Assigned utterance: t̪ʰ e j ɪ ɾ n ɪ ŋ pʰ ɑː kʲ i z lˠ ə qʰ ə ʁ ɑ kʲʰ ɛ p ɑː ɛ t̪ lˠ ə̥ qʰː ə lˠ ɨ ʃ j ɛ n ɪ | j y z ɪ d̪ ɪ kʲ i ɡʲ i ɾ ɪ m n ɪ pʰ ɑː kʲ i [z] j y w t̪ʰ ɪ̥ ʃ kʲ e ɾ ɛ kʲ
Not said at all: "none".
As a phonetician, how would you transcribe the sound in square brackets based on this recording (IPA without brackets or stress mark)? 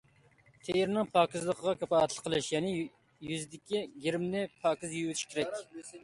z